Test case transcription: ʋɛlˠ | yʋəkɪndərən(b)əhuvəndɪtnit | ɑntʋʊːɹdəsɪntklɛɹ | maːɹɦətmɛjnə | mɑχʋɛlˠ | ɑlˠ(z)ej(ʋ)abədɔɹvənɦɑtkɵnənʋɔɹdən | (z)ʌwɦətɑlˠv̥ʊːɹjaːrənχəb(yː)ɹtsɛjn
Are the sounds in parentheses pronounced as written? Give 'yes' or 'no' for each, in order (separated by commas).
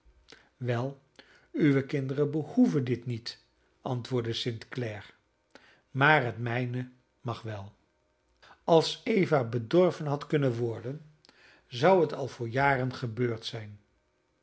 yes, no, no, yes, no